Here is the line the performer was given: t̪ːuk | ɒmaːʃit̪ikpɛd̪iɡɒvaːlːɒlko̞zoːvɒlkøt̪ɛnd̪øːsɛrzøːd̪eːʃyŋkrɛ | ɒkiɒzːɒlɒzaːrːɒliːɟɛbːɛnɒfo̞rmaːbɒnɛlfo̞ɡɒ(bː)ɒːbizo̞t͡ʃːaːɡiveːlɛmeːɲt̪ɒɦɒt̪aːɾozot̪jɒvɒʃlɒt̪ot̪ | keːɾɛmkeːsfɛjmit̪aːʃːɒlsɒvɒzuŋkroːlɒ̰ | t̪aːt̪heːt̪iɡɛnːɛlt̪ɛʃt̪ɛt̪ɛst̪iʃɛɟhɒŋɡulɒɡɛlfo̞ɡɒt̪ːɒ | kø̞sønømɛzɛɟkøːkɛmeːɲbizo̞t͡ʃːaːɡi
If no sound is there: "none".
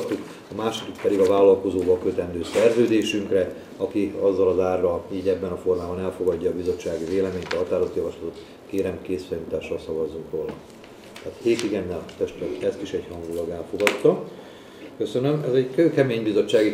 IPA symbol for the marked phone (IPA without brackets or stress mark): ɟː